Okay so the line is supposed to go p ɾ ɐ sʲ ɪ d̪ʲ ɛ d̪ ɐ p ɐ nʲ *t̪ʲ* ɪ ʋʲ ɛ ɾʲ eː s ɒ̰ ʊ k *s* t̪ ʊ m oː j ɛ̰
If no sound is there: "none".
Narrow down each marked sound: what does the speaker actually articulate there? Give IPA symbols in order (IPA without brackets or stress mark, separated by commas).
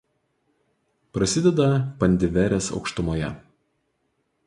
d̪ʲ, ʃ